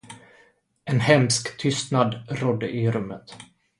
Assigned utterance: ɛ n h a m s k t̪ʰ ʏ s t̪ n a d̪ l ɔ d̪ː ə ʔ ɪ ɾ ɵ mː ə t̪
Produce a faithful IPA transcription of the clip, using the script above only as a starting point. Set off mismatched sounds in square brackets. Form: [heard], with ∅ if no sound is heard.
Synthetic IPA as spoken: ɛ n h [ɛ] m s k t̪ʰ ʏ s t̪ n a d̪ [ɾ] ɔ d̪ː ə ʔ ɪ ɾ ɵ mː ə t̪